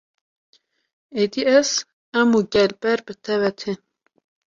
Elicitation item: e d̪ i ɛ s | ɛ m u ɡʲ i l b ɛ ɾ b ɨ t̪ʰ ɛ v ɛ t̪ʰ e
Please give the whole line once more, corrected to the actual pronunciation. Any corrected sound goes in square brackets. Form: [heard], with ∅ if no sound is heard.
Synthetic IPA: e d̪ i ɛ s | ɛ m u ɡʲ [ɛ] l b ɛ ɾ b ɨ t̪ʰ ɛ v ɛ t̪ʰ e

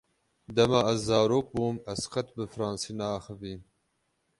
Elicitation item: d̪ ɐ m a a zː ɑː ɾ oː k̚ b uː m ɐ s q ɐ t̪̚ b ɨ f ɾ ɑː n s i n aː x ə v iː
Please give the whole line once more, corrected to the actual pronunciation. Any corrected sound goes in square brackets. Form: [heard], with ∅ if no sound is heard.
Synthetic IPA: d̪ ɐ m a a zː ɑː ɾ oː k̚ b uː m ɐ s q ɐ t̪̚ b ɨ f ɾ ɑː n s i n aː x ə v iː

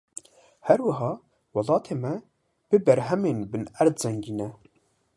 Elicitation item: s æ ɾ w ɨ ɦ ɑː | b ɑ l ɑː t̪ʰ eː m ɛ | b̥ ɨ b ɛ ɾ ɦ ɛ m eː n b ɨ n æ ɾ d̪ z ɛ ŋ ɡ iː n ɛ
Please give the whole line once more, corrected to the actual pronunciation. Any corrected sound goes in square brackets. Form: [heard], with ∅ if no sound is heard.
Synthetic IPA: [h] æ ɾ w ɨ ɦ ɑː | [w] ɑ l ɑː t̪ʰ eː m ɛ | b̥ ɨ b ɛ ɾ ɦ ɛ m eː n b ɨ n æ ɾ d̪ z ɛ ŋ ɡ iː n ɛ

